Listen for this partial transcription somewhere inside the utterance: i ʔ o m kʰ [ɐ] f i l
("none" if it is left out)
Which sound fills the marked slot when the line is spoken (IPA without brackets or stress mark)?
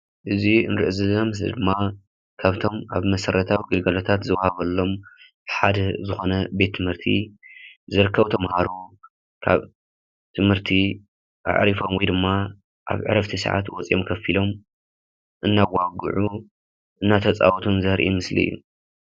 ɐ